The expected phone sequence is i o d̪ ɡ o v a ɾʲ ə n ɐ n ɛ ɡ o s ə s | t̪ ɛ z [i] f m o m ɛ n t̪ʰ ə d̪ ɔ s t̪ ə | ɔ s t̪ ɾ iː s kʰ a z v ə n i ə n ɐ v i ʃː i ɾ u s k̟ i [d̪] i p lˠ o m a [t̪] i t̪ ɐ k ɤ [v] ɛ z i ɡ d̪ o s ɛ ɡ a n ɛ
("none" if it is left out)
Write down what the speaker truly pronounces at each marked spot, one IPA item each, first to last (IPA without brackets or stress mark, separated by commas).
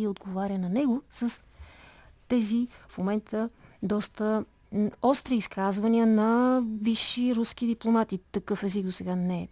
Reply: i, d̪, t̪, f